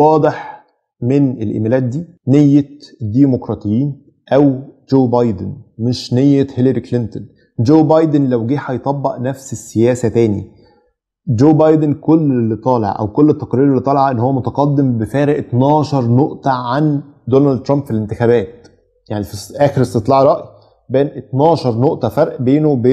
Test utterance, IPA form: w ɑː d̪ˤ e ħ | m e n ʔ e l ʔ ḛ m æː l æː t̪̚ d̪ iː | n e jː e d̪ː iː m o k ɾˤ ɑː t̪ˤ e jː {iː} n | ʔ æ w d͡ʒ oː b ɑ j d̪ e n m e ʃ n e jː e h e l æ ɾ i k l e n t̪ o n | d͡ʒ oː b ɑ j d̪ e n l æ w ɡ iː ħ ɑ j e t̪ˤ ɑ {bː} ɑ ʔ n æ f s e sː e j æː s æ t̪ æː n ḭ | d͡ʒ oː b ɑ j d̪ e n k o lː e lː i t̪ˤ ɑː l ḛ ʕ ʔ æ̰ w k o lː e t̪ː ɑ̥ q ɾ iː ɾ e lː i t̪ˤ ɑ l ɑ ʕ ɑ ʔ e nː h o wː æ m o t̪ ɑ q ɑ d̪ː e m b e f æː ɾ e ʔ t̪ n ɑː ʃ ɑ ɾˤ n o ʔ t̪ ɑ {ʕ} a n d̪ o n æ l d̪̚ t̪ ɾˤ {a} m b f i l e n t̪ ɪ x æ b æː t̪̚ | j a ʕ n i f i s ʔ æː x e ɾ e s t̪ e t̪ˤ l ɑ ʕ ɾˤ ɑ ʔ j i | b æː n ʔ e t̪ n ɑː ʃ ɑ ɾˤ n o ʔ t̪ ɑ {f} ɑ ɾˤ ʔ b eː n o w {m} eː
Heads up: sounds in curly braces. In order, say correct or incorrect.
correct, correct, correct, incorrect: ɑ, correct, incorrect: b

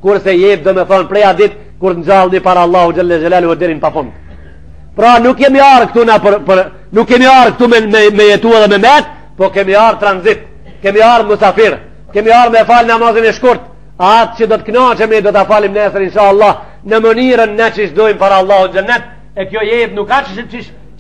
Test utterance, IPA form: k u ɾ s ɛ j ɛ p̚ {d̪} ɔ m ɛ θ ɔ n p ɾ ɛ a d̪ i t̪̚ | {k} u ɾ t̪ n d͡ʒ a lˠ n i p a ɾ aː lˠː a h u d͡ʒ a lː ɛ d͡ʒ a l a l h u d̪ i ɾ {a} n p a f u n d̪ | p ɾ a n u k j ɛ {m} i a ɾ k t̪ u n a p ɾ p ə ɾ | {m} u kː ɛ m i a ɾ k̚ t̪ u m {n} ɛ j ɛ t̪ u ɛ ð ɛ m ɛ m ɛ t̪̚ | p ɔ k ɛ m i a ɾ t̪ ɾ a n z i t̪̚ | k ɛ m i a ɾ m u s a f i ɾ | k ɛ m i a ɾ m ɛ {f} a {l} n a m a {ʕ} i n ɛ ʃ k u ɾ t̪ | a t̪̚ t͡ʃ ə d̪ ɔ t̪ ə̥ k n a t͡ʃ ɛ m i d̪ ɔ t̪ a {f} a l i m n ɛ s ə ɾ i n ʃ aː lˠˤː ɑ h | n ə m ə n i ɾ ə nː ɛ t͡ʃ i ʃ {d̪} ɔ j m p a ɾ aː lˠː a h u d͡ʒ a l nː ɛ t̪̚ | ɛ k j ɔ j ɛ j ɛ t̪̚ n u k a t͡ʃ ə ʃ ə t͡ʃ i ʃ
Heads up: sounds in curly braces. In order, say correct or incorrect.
correct, correct, incorrect: i, correct, incorrect: n, incorrect: m, correct, correct, incorrect: z, correct, correct

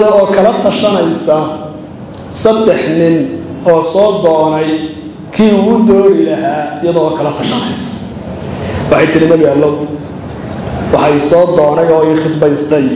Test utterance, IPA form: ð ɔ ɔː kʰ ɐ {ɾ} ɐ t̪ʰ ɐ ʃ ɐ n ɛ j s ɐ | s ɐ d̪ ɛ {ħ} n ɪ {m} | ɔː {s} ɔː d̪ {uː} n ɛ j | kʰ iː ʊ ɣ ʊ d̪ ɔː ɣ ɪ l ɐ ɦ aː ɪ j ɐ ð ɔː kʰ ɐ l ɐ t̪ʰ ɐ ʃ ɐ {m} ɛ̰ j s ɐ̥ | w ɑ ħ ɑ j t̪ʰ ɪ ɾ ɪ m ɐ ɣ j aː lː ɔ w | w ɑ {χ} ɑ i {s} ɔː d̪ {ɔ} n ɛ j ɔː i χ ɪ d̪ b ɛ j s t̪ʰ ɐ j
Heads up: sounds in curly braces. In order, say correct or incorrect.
incorrect: l, correct, incorrect: n, correct, incorrect: ɔː, incorrect: n, incorrect: ħ, correct, incorrect: ɔː

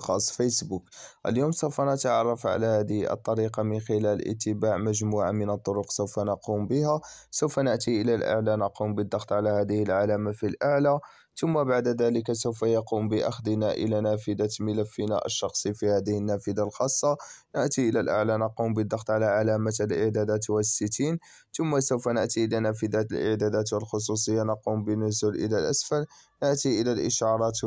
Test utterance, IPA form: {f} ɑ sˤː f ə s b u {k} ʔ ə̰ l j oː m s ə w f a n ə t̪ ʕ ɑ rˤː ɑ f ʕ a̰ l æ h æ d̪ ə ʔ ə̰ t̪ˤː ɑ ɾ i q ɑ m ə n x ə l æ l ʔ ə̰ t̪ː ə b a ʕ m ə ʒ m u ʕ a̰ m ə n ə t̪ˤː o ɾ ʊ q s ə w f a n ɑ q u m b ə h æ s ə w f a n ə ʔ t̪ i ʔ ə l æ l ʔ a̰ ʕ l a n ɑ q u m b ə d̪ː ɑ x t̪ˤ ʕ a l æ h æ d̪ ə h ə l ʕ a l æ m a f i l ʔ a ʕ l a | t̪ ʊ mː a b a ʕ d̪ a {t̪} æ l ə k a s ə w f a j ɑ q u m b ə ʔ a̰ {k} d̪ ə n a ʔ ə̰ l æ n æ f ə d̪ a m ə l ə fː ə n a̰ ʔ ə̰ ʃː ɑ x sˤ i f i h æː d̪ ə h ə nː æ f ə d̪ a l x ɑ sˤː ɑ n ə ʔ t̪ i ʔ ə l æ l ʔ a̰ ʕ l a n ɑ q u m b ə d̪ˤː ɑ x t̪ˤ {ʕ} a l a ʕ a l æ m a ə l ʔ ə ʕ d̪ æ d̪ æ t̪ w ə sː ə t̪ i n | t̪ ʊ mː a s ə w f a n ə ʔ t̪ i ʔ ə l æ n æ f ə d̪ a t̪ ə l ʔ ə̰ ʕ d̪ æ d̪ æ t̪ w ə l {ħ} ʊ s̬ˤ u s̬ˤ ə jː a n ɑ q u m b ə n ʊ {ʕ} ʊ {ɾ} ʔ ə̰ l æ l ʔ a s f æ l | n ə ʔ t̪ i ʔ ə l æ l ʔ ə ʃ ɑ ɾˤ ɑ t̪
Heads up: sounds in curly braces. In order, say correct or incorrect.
incorrect: x, correct, incorrect: d̪, incorrect: x, correct, incorrect: x, incorrect: z, incorrect: l

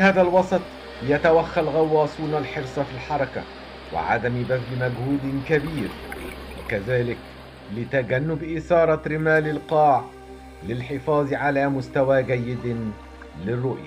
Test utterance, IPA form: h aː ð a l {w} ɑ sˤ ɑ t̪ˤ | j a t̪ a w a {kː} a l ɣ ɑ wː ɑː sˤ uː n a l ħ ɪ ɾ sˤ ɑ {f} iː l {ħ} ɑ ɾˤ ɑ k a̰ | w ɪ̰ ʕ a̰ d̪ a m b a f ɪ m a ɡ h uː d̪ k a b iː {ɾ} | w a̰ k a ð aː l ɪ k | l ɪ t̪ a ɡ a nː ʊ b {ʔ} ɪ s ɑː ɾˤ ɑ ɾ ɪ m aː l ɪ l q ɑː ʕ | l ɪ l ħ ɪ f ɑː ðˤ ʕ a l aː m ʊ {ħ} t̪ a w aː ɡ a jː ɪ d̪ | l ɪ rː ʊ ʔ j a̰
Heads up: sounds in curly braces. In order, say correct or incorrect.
correct, incorrect: xː, correct, correct, correct, correct, incorrect: s

